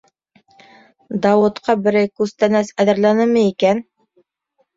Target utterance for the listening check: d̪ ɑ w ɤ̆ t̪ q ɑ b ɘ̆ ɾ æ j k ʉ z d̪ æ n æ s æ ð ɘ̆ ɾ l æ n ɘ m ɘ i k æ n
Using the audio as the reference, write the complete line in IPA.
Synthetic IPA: d̪ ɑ w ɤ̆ t̪ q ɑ b ɘ̆ ɾ æ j k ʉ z t̪ æ n æ s æ ð ɘ̆ ɾ l æ n ɘ m ɘ i k æ n